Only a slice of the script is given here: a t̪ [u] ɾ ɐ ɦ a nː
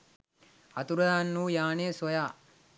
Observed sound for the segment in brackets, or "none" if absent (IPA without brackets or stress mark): u